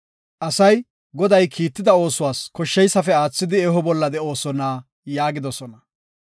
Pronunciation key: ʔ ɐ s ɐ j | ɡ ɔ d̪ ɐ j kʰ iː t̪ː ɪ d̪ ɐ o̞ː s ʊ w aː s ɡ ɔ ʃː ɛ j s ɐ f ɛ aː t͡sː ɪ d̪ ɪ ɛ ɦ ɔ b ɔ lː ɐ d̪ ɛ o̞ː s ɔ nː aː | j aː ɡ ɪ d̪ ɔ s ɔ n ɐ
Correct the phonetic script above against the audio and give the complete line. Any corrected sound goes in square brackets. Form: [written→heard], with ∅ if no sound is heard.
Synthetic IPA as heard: ʔ ɐ s ɐ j | ɡ ɔ d̪ ɐ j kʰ iː t̪ː ɪ d̪ ɐ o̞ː s ʊ w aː s [ɡ→k] ɔ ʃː ɛ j s ɐ f ɛ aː t͡sː ɪ d̪ ɪ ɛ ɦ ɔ b ɔ lː ɐ d̪ ɛ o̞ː s ɔ [nː→n] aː | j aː ɡ ɪ d̪ ɔ s ɔ n ɐ